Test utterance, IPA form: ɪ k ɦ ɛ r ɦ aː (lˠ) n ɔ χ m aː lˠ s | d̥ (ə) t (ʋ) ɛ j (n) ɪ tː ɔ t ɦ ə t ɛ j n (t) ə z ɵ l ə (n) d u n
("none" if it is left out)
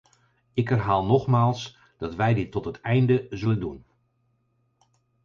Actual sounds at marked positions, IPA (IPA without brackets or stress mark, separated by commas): lˠ, ɑ, ʋ, d, d, n